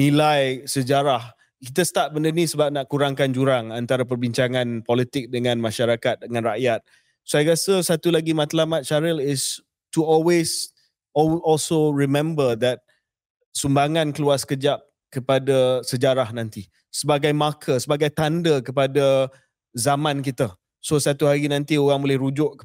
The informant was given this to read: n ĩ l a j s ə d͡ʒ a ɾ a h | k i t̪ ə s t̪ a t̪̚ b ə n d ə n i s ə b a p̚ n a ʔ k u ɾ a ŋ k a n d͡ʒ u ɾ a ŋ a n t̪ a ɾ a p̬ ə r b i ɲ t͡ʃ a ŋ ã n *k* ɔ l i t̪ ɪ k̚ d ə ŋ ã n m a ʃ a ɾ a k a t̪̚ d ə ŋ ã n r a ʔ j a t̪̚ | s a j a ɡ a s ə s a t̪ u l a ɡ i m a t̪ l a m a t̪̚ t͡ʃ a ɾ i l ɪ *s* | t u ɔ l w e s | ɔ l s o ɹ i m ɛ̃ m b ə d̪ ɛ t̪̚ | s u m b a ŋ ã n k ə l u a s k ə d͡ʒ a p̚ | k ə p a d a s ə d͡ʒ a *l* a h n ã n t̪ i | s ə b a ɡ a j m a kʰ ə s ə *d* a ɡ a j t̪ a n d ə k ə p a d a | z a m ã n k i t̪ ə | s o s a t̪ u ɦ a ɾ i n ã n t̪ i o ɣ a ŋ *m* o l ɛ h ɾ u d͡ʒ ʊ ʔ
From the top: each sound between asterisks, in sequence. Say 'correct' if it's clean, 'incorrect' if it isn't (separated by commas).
incorrect, correct, incorrect, incorrect, incorrect